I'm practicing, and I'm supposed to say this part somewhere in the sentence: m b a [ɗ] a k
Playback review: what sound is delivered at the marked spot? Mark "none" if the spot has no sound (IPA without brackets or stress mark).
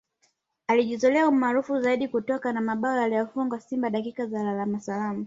ɗ